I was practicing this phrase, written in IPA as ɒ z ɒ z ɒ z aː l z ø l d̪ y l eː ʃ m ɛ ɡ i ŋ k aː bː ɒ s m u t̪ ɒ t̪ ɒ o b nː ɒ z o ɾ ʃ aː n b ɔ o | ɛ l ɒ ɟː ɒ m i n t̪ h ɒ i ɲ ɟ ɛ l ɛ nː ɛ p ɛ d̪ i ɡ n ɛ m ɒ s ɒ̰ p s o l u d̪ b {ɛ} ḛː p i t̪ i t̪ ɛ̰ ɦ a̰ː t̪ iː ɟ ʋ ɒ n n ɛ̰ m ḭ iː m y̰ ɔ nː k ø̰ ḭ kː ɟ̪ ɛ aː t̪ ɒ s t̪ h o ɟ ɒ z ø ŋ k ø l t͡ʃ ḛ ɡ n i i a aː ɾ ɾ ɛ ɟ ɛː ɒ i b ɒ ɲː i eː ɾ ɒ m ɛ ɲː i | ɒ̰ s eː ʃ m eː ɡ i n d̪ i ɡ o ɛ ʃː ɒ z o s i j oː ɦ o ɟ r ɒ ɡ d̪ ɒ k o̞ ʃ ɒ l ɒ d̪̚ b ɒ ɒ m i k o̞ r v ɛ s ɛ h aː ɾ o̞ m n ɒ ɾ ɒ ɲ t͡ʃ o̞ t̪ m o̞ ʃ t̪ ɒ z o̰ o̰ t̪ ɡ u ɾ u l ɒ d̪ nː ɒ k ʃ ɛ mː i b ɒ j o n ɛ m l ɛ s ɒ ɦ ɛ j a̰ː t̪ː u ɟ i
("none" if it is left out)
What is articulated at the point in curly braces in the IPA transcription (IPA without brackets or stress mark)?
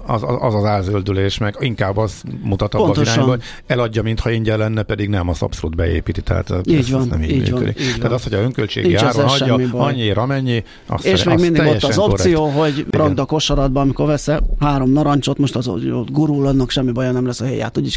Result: ɛ